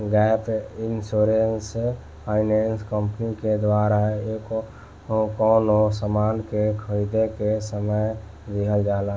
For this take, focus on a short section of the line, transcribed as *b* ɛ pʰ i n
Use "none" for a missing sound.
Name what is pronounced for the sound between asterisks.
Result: ɡ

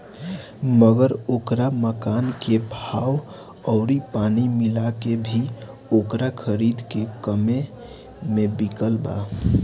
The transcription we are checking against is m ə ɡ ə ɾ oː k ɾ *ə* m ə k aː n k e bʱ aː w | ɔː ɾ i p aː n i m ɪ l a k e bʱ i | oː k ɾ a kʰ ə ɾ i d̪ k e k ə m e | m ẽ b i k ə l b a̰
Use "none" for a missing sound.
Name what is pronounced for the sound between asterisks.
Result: a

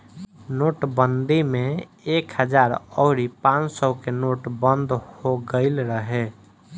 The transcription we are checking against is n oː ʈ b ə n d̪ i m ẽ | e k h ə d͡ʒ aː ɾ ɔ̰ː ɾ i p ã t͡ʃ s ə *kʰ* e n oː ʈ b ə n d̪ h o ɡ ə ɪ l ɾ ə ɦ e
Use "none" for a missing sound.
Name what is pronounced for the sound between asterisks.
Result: k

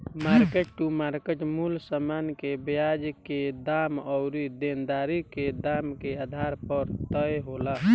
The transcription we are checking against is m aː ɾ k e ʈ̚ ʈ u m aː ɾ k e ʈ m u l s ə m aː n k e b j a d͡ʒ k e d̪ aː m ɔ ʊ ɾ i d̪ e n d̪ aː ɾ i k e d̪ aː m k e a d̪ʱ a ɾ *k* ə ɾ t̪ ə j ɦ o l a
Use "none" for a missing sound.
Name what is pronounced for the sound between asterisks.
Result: p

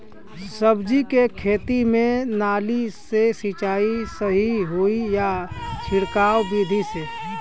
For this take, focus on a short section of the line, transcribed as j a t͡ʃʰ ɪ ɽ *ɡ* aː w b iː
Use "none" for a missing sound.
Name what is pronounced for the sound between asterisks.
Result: k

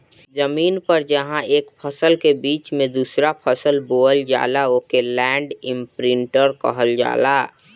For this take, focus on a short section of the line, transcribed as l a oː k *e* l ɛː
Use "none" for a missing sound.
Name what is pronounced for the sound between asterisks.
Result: e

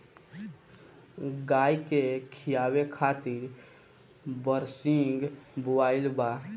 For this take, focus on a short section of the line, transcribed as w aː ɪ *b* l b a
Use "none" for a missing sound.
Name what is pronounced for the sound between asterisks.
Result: none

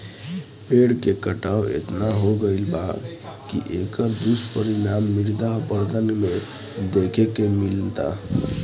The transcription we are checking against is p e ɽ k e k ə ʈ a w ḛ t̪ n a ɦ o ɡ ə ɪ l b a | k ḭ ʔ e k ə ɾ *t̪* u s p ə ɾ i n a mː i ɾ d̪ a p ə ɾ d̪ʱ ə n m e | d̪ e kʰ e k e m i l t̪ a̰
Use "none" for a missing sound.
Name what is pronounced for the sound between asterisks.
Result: d̪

